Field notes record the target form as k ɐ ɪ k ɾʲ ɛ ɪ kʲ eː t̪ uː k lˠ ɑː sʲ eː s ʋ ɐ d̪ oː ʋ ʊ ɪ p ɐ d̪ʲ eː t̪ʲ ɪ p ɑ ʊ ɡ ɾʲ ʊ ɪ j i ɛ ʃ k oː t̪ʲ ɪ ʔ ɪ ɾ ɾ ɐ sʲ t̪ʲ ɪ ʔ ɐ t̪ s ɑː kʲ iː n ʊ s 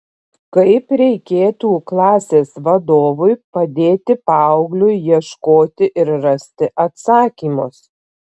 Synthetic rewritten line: k ɐ ɪ p ɾʲ ɛ ɪ kʲ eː t̪ uː k lˠ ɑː sʲ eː s ʋ ɐ d̪ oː ʋ ʊ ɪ p ɐ d̪ʲ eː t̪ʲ ɪ p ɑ ʊ ɡ lʲ ʊ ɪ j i ɛ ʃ k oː t̪ʲ ɪ ʔ ɪ ɾ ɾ ɐ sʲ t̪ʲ ɪ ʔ ɐ t̪ s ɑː kʲ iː m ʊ s